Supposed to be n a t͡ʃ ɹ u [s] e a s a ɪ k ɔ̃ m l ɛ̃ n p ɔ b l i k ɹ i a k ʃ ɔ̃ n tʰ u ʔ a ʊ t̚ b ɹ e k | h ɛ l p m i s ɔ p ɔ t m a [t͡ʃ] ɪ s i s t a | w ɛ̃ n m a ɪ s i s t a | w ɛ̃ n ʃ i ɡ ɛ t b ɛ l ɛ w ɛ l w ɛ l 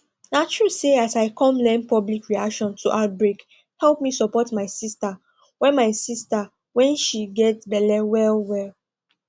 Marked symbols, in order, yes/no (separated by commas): yes, no